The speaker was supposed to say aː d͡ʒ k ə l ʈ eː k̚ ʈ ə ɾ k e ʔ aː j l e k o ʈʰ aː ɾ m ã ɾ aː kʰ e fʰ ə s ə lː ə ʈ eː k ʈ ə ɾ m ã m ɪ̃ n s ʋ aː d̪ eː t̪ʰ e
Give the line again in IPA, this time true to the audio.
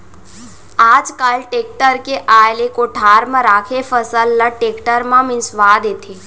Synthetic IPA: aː d͡ʒ k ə l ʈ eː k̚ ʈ ə ɾ k e ʔ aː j l e k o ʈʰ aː ɾ m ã ɾ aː kʰ e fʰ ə s ə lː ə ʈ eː k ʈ ə ɾ m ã m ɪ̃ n s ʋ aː d̪ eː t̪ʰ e